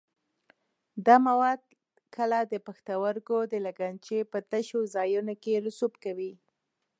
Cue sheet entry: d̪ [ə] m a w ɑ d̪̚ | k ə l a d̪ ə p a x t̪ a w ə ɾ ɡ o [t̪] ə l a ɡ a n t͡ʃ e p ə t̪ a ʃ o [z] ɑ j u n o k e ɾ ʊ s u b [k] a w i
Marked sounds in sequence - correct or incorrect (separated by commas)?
incorrect, incorrect, correct, correct